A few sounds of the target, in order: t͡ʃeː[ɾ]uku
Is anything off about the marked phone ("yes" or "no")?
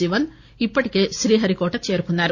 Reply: no